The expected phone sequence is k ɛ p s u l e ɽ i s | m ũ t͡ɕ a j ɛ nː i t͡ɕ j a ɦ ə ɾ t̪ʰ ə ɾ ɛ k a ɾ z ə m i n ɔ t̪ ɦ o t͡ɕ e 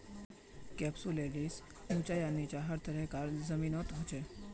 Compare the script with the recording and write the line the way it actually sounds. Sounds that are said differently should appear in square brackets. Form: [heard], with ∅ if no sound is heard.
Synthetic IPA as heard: k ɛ p s u l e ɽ i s | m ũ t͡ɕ a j [a] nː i t͡ɕ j a ɦ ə ɾ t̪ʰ ə ɾ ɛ k a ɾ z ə m i n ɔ t̪ ɦ o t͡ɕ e